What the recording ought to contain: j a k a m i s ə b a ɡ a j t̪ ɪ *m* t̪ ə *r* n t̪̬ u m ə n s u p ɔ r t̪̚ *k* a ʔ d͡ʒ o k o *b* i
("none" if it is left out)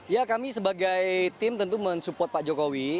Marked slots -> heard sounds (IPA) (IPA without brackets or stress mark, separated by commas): m, none, p, w